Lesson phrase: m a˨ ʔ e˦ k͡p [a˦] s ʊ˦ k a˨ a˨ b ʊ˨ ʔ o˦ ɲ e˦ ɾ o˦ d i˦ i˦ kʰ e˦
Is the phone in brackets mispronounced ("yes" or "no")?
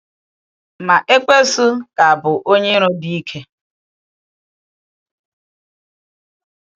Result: yes